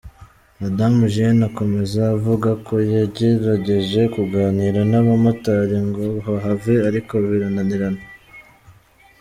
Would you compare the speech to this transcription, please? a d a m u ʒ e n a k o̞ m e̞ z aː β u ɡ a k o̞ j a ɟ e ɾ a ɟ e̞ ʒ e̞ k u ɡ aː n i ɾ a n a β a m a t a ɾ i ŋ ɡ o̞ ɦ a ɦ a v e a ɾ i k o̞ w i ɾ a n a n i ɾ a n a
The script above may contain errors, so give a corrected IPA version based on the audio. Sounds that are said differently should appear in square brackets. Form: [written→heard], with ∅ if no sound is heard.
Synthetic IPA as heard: a d a m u ʒ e n a k o̞ m e̞ z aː [β→v] u ɡ a k o̞ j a ɟ e ɾ a ɟ e̞ ʒ e̞ k u ɡ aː n i ɾ a n a β a m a t a ɾ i ŋ ɡ o̞ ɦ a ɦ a v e a ɾ i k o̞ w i ɾ a n a n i ɾ a n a